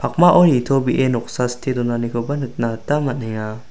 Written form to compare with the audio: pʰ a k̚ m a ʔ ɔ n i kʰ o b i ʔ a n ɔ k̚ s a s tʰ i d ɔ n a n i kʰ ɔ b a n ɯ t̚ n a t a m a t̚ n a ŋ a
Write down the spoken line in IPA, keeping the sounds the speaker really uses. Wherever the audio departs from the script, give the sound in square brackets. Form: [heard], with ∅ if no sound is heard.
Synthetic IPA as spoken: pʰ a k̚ m a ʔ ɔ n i [tʰ] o b i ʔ [e] n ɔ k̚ s a s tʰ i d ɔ n a n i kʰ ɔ b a n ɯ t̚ n a t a m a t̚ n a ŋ a